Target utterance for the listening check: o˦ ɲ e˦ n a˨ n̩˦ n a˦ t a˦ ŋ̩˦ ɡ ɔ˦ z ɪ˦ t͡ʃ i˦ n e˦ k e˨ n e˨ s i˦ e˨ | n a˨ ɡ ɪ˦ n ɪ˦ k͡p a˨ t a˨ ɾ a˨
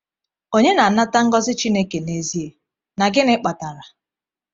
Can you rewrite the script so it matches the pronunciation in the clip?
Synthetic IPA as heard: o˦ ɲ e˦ n a˨ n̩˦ n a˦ t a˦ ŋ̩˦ ɡ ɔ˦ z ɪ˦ t͡ʃ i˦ n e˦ k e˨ n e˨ z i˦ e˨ | n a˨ ɡ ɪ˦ n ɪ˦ k͡p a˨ t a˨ ɾ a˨